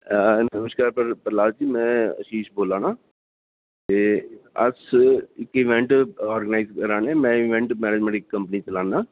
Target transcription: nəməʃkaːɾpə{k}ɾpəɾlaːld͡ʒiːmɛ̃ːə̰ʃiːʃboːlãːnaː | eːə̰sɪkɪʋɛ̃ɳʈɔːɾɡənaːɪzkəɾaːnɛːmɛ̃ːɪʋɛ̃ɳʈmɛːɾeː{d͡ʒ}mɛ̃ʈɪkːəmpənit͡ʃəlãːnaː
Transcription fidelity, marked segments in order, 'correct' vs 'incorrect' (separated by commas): incorrect, correct